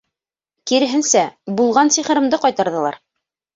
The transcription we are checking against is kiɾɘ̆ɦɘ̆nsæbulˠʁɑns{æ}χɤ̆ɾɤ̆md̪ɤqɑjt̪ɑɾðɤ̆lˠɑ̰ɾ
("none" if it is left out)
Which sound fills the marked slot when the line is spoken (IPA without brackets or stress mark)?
i